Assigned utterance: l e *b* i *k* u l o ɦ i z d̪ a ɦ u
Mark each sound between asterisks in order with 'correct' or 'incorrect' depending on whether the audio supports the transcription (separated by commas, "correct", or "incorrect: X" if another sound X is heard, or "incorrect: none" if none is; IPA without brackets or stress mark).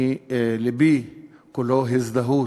correct, correct